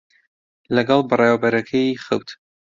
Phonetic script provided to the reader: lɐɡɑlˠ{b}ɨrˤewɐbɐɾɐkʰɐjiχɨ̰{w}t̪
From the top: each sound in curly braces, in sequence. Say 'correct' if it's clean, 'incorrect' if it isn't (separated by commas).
correct, correct